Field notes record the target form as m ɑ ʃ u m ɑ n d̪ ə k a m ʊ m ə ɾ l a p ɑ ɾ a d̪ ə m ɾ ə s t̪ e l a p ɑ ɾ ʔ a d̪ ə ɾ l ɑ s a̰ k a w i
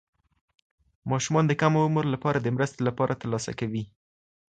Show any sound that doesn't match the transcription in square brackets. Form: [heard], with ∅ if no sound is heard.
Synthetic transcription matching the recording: m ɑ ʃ u m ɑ n d̪ ə k a m ʊ m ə ɾ l a p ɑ ɾ a d̪ ə m ɾ ə s t̪ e l a p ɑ ɾ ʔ a [t̪] ə ɾ l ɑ s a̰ k a w i